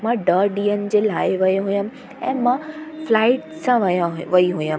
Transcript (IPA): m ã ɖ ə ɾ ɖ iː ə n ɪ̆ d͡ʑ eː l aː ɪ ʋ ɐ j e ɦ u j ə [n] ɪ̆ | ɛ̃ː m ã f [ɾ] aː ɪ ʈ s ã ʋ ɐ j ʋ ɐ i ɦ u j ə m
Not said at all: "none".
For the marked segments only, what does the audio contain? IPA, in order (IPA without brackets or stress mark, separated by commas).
m, l